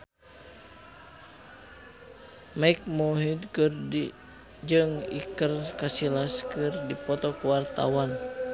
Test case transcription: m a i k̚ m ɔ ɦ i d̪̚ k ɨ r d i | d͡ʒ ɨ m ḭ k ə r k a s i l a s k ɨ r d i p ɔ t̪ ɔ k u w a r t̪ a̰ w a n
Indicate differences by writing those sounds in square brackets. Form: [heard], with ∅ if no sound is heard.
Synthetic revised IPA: m a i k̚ m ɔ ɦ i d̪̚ k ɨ r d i | d͡ʒ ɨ [ŋ] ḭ k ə r k a s i l a s k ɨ r d i p ɔ t̪ ɔ k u w a r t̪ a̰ w a n